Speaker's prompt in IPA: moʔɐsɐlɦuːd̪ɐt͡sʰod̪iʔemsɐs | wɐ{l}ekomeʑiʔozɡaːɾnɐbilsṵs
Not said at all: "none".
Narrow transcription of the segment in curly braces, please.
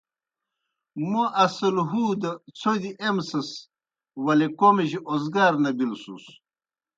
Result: l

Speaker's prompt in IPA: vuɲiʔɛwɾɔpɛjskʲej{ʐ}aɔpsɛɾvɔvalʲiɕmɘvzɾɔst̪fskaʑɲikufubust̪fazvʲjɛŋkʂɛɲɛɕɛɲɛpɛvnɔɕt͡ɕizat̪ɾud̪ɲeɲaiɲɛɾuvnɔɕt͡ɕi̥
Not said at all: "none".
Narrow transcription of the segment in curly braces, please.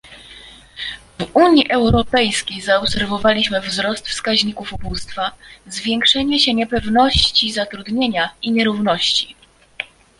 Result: z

